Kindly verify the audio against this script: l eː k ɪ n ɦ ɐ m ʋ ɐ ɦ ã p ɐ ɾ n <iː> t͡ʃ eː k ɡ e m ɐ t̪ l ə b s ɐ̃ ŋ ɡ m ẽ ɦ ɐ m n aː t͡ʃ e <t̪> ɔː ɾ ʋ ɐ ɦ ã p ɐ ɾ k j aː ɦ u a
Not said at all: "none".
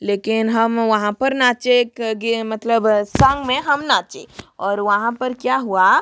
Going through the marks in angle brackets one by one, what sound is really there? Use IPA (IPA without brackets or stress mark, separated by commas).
aː, none